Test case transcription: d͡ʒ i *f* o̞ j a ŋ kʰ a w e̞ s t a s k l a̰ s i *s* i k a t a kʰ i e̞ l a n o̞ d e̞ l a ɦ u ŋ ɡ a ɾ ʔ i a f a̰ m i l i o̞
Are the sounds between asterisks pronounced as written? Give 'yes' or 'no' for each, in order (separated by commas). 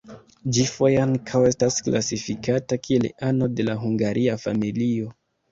yes, no